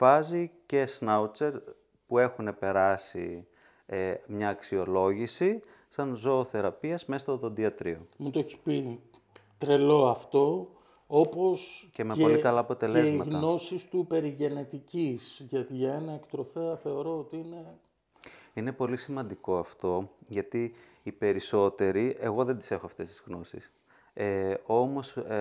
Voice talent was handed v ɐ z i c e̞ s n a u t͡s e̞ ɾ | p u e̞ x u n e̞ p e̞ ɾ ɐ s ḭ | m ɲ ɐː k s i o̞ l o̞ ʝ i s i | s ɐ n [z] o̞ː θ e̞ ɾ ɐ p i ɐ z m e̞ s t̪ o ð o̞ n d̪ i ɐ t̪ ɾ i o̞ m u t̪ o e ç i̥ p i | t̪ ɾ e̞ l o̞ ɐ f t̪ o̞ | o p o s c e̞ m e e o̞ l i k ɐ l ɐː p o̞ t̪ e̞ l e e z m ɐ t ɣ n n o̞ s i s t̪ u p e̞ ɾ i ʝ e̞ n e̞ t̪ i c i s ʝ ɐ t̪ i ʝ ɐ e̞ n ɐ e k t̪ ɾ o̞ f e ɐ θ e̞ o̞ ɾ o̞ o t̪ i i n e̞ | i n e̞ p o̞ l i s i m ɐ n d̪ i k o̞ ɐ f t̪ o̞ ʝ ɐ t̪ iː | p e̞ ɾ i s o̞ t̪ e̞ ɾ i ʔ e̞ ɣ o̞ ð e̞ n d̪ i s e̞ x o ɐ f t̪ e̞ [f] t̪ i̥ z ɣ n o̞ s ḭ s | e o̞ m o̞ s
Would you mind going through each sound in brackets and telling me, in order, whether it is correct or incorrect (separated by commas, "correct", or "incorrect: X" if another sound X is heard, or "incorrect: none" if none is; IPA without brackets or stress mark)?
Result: correct, incorrect: s